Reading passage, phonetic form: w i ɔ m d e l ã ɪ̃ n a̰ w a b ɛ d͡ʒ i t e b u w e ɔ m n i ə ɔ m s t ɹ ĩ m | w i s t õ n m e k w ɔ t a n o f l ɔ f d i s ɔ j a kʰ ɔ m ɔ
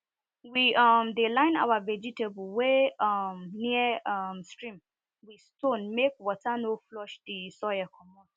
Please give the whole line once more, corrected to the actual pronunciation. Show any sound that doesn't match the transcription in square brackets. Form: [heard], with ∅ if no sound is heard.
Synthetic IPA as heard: w i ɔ m d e l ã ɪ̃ n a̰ w a [v] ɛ d͡ʒ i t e b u w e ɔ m n i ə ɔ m s t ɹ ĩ m | w i s t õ n m e k w ɔ t a n o f l ɔ [ʃ] d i s ɔ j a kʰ ɔ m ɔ